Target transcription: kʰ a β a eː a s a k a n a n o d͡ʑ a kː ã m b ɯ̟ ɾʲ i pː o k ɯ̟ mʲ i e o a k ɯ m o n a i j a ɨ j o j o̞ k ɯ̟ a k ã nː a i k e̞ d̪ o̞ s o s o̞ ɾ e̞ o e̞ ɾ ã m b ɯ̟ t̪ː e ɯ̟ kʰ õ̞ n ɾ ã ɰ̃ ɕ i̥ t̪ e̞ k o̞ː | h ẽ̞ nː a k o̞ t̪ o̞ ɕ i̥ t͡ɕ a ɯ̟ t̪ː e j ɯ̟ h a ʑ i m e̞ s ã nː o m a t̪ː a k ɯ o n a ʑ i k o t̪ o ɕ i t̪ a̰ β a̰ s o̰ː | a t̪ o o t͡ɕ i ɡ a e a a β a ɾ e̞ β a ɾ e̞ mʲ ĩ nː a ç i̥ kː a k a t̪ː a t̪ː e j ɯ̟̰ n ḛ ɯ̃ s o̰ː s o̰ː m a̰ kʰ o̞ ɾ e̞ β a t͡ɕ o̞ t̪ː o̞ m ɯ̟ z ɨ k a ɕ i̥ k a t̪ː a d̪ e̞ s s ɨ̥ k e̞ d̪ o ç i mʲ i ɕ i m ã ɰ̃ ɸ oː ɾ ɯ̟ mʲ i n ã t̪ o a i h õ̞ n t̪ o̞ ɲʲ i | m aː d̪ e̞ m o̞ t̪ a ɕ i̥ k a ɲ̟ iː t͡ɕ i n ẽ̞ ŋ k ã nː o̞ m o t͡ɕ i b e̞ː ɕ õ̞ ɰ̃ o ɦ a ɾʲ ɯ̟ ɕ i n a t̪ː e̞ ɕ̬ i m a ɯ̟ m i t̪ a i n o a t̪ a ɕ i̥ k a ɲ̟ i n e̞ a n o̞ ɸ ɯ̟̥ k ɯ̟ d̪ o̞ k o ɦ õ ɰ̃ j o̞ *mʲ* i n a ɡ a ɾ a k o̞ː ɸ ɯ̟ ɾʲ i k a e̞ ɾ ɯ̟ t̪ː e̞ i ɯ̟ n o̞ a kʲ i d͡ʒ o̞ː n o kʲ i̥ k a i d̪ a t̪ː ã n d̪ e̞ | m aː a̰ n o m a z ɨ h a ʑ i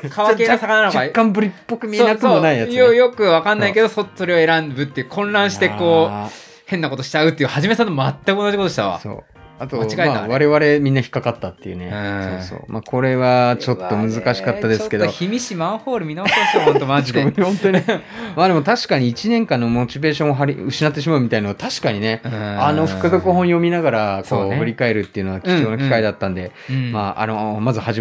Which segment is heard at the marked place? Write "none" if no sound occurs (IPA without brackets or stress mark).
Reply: mʲ